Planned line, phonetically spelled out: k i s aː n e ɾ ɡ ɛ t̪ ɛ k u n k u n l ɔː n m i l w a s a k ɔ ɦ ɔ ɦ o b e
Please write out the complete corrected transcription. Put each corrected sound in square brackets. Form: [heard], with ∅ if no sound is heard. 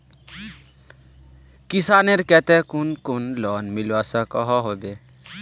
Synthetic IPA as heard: k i s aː n e ɾ [k] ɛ t̪ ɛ k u n k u n l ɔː n m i l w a s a k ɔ ɦ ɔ ɦ o b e